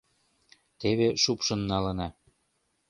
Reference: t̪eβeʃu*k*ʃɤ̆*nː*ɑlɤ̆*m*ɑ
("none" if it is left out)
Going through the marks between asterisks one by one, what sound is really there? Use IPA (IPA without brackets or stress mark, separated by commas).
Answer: p, nː, n